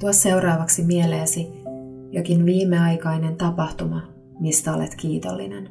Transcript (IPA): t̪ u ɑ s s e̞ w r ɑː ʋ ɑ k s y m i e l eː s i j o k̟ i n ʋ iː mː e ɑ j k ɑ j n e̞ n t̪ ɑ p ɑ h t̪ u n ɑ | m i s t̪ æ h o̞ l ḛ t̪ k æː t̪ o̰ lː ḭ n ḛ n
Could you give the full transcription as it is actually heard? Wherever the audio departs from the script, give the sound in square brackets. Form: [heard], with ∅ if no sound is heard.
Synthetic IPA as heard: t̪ u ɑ s s e̞ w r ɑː ʋ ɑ k s [i] m i e l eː s i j o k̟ i n ʋ iː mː e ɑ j k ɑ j n e̞ n t̪ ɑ p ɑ h t̪ u [m] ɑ | m i s t̪ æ [∅] o̞ l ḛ t̪ k [iː] t̪ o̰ lː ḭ n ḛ n